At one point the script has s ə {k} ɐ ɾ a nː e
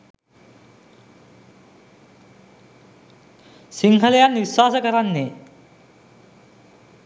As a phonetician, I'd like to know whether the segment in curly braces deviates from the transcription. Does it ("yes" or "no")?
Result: no